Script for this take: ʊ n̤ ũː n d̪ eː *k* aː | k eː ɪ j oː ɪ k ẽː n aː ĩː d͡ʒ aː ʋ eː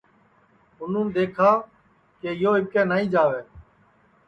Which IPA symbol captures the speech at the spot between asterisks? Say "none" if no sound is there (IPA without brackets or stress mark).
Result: kʰ